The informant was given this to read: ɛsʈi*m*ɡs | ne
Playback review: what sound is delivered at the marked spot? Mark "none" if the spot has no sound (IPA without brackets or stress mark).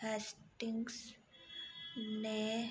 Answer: ŋ